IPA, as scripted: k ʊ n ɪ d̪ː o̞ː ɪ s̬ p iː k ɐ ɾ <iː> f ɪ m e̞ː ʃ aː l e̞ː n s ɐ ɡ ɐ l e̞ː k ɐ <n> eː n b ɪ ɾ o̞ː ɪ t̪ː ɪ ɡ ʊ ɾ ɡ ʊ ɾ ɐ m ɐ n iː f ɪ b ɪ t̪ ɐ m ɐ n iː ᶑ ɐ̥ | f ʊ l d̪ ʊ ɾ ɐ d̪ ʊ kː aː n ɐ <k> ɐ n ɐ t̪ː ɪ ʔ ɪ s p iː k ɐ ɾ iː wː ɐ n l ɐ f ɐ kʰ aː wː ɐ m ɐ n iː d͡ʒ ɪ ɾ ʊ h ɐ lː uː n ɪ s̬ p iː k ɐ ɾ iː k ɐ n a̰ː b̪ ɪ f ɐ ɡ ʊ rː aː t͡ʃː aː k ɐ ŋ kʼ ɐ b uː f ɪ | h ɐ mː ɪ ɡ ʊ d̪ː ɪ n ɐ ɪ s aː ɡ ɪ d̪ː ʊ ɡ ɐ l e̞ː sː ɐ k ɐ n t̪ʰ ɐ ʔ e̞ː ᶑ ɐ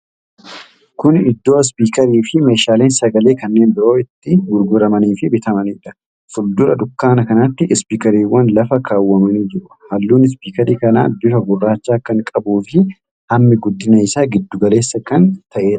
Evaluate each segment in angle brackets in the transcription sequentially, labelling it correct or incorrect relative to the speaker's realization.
correct, incorrect: nː, correct

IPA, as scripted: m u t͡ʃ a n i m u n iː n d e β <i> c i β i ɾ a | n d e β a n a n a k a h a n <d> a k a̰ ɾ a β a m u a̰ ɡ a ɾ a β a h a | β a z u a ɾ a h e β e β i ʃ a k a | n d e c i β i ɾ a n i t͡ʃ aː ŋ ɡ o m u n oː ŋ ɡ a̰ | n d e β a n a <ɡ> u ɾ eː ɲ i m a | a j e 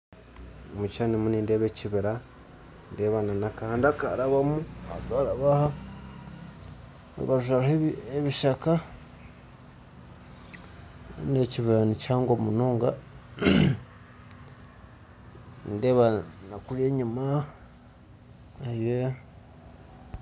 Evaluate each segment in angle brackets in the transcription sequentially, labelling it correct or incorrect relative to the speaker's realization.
incorrect: e, correct, incorrect: k

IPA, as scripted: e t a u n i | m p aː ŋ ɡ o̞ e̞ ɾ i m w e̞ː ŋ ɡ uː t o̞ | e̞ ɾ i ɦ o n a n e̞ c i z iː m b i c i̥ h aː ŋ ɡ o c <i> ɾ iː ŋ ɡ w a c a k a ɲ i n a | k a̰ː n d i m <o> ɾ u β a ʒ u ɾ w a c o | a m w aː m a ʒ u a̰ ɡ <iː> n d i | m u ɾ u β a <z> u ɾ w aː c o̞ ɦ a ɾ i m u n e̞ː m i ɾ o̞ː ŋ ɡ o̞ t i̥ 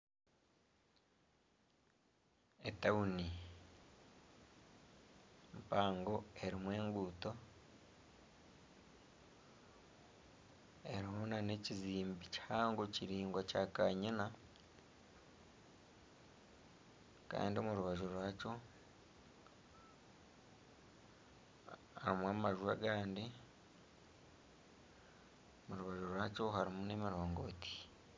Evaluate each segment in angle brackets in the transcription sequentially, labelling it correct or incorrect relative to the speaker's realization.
correct, incorrect: u, incorrect: aː, incorrect: ʒ

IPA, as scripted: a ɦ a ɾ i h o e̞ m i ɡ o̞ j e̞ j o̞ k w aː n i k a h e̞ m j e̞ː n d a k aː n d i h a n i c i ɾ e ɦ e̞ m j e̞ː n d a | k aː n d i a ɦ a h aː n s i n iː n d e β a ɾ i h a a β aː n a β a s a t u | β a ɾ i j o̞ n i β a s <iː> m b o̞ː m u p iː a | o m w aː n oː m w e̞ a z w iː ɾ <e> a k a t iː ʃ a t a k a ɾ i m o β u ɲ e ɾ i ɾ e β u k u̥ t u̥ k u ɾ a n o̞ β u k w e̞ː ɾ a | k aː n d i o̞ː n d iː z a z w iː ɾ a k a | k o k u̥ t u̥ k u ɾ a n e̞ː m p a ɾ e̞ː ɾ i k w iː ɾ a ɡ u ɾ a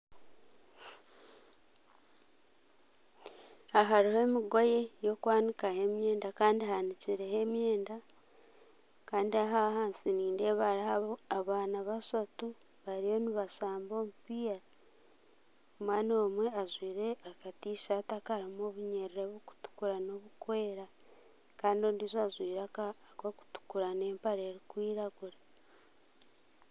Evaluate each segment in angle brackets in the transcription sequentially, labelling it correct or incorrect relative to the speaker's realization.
incorrect: aː, correct

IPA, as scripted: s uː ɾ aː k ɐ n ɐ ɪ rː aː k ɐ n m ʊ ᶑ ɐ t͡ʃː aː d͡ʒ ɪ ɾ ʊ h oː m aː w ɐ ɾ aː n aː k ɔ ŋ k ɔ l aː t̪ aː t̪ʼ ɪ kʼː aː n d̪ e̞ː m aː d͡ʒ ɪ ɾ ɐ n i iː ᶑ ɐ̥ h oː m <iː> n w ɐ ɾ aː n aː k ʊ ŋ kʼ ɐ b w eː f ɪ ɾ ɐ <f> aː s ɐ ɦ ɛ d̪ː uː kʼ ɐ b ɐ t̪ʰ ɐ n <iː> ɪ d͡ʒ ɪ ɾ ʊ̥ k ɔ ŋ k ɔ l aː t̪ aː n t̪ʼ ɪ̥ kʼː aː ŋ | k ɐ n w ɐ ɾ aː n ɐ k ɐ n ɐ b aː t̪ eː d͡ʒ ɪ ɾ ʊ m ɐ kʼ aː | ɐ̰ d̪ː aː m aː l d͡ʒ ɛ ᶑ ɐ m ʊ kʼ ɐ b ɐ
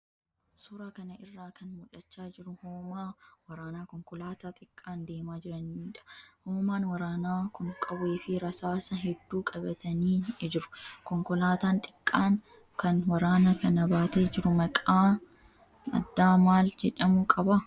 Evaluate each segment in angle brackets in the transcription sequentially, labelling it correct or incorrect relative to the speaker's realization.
incorrect: aː, incorrect: s, correct

